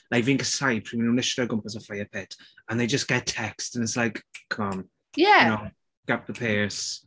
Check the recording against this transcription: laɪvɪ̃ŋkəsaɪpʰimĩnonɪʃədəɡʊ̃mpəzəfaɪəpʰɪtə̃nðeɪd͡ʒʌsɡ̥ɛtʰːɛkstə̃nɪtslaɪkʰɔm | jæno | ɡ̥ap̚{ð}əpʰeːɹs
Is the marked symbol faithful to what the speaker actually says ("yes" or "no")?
yes